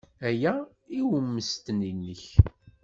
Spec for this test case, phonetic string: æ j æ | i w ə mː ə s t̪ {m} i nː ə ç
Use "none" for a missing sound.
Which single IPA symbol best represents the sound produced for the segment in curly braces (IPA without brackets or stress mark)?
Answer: n